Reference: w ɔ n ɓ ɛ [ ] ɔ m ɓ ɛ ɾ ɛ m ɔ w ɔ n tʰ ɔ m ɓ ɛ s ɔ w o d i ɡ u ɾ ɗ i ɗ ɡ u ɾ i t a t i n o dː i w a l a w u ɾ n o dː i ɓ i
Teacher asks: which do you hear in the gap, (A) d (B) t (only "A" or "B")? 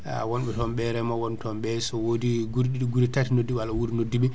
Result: B